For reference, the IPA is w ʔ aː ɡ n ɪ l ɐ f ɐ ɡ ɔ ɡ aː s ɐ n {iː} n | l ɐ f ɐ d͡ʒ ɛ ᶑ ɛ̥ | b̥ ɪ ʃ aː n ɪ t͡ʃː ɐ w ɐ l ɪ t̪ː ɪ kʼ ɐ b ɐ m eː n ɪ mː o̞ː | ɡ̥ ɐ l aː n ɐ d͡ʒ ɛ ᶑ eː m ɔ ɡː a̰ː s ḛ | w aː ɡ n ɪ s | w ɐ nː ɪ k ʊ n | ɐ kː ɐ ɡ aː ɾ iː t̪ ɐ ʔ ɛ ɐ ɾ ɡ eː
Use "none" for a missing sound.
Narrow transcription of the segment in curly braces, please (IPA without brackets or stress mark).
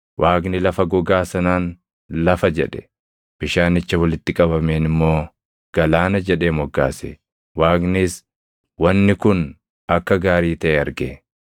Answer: aː